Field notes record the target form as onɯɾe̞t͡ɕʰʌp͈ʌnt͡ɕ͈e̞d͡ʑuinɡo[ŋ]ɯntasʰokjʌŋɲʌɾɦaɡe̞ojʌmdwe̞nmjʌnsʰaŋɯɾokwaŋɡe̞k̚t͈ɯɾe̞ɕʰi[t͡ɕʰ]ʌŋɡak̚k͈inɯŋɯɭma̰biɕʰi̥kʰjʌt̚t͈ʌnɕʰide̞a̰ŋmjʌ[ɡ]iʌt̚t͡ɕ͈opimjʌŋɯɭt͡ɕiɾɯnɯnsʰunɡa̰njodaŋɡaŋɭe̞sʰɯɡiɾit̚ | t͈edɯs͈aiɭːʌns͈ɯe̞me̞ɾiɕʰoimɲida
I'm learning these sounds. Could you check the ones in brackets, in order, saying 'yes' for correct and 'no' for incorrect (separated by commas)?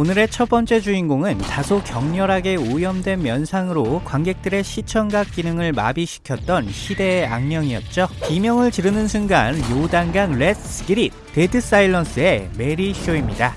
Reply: yes, yes, no